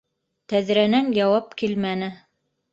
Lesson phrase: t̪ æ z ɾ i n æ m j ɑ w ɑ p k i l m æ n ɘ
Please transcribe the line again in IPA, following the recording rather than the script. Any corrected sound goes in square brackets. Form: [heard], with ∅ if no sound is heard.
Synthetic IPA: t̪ æ [ð] ɾ [æ] n æ [n] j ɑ w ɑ p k i l m æ n ɘ